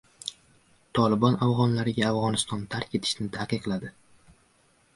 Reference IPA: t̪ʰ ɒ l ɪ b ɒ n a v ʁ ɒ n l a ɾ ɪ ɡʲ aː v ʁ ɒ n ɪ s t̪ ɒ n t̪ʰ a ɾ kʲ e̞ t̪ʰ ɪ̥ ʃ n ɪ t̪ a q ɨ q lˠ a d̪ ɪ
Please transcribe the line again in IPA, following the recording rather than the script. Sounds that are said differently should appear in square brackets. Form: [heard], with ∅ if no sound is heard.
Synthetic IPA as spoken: t̪ʰ ɒ l ɪ b ɒ n a v ʁ ɒ n l a ɾ ɪ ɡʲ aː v ʁ ɒ n ɪ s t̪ ɒ n t̪ʰ a ɾ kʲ e̞ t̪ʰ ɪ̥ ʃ n ɪ [t̪ʰ] a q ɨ q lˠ a d̪ ɪ